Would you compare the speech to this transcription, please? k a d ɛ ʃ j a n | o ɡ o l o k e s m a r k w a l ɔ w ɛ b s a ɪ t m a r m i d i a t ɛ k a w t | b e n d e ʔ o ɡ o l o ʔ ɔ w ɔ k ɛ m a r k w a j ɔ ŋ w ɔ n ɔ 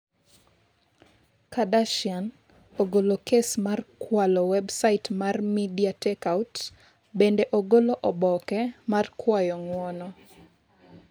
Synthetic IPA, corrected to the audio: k a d a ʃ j a n | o ɡ o l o k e s m a r k w a l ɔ w ɛ b s a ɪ t m a r m i d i a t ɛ k a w t | b e n d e ʔ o ɡ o l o ʔ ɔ b ɔ k ɛ m a r k w a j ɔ ŋ w ɔ n ɔ